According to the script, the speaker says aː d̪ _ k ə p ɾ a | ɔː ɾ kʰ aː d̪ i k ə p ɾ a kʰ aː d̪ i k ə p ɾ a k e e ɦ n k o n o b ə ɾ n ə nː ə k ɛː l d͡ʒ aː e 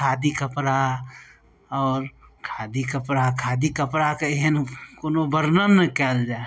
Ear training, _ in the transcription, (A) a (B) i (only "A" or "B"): B